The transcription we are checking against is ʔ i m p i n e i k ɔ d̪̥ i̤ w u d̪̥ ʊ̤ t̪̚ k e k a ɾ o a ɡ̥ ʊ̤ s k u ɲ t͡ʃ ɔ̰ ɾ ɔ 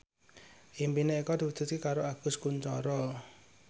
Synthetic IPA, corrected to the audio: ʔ i m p i n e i k ɔ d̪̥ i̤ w u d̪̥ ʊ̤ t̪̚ k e k a ɾ o a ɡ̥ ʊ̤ s k u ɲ t͡ʃ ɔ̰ ɾ ɔ